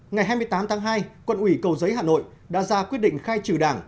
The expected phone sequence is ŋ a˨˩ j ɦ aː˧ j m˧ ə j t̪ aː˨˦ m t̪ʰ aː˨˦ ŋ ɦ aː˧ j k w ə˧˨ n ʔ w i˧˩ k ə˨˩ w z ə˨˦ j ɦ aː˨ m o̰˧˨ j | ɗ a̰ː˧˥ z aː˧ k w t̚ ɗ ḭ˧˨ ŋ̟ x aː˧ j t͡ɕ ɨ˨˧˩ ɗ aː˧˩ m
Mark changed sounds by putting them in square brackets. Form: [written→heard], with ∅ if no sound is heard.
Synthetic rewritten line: ŋ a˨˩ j ɦ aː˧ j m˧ ə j t̪ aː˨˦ m t̪ʰ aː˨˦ ŋ ɦ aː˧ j k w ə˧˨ n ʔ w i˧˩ k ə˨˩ w z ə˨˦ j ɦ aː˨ [m→n] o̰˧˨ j | ɗ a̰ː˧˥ z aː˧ k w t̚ ɗ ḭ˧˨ ŋ̟ x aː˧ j t͡ɕ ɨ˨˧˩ ɗ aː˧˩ [m→ŋ]